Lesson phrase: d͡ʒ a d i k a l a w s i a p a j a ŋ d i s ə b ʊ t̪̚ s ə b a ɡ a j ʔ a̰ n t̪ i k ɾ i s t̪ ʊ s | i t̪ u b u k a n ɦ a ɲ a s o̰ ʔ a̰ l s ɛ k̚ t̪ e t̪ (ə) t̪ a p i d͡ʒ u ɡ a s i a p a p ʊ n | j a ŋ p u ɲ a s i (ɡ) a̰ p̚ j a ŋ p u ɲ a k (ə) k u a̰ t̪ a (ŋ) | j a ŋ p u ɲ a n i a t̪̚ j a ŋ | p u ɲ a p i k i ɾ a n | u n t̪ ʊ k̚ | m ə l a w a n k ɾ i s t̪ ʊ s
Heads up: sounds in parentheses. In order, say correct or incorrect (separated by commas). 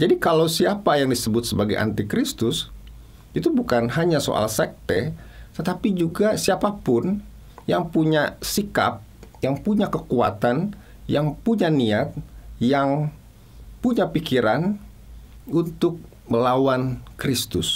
correct, incorrect, correct, incorrect